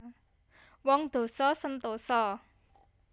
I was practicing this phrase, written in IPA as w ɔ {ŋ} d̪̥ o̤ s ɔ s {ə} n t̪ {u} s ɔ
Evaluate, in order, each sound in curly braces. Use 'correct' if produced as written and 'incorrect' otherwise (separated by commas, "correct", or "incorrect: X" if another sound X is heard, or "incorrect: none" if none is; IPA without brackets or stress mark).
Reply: correct, correct, incorrect: o